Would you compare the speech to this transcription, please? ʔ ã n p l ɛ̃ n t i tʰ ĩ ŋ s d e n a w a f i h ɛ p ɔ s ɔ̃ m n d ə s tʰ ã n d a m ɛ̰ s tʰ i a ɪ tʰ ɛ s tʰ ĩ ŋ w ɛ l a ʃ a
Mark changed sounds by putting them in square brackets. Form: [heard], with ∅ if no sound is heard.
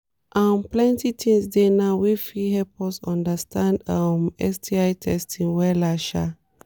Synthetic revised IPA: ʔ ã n p l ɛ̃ n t i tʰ ĩ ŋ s d e n a w [i] f i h ɛ p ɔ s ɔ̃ [∅] n d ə s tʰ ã n d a m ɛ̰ s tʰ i a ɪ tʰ ɛ s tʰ ĩ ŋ w ɛ l a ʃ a